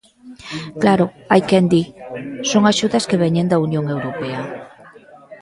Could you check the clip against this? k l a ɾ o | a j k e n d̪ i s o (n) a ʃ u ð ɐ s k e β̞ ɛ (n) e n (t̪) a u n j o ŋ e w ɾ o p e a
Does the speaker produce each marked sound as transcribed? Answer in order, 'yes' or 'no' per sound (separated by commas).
no, no, no